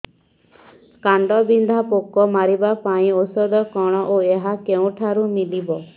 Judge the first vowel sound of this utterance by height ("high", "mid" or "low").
low